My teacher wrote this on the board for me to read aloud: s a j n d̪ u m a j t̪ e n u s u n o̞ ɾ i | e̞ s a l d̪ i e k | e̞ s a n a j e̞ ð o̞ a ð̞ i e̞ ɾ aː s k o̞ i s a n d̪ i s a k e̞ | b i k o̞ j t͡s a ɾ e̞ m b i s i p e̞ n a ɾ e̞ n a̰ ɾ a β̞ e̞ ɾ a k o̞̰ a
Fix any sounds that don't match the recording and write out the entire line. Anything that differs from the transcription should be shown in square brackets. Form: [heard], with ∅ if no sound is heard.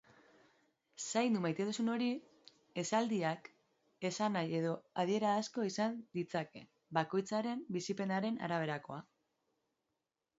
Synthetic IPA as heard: s a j n d̪ u m a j t̪ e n u s u n o̞ ɾ i | e̞ s a l d̪ i [a] k | e̞ s a n a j e̞ ð o̞ a ð̞ i e̞ ɾ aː s k o̞ i s a n d̪ i [t͡s] a k e̞ | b [a] k o̞ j t͡s a ɾ e̞ m b i s i p e̞ n a ɾ e̞ n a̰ ɾ a β̞ e̞ ɾ a k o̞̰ a

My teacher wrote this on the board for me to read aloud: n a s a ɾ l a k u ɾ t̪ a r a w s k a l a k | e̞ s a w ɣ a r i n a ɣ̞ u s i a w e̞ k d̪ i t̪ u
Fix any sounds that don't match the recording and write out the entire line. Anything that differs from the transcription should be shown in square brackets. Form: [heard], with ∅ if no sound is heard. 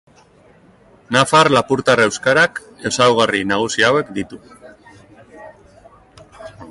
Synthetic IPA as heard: n a [f] a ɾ l a [p] u ɾ t̪ a r [e] w s k a [ɾ] a k | e̞ s a w ɣ a r i n a ɣ̞ u s i a w e̞ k d̪ i t̪ u

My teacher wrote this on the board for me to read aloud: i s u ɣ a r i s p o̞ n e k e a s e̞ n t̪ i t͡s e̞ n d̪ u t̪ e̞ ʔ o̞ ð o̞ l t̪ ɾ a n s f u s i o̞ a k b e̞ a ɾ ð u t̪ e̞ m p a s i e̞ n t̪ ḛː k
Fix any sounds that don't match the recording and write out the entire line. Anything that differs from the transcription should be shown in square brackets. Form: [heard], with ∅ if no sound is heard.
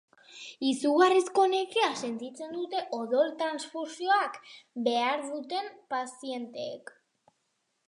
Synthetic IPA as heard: i s u ɣ a r i s [k] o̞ n e k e a s e̞ n t̪ i t͡s e̞ n d̪ u t̪ e̞ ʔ o̞ ð o̞ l t̪ ɾ a n s f u s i o̞ a k b e̞ a ɾ ð u t̪ e̞ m p a s i e̞ n t̪ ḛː k

